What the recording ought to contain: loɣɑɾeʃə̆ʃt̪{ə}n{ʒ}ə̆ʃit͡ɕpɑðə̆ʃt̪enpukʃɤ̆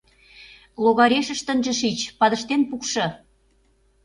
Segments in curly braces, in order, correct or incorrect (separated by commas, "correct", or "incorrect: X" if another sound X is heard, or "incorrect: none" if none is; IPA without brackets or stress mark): correct, correct